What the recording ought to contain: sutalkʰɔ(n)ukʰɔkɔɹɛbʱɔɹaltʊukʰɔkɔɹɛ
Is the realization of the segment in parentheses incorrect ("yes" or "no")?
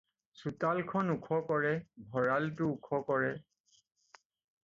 no